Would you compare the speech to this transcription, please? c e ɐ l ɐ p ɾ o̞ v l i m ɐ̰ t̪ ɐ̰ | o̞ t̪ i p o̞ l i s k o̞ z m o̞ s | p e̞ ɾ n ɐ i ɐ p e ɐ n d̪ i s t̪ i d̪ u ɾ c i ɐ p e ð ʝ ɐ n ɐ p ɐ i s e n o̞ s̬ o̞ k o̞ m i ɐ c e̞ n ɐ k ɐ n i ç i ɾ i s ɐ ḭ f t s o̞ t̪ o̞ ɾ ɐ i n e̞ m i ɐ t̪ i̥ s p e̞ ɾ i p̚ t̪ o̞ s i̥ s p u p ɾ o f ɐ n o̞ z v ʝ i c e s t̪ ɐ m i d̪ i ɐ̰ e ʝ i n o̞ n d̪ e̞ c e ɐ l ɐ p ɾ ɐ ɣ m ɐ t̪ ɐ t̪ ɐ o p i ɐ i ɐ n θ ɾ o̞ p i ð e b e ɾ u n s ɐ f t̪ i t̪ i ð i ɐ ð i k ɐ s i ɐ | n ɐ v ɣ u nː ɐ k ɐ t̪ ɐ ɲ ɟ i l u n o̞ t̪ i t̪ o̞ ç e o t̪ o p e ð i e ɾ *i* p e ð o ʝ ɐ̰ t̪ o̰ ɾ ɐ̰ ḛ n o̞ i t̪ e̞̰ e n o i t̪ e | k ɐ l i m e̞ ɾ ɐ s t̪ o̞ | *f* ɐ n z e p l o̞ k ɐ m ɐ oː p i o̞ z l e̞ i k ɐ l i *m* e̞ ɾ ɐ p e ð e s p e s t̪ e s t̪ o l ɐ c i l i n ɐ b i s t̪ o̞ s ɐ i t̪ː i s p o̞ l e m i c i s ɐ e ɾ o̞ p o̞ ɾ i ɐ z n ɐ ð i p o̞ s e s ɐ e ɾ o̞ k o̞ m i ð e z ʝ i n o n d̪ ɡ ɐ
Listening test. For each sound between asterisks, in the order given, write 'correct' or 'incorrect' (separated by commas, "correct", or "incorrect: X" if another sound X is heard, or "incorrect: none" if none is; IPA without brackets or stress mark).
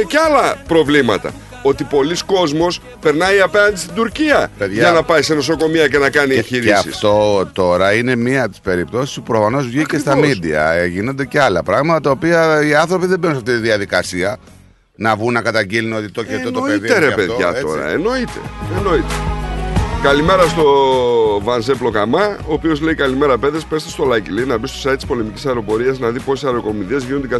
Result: incorrect: e, incorrect: v, correct